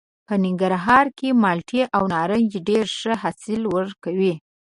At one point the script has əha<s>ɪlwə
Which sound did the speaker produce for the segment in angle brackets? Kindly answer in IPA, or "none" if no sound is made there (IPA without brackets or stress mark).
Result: s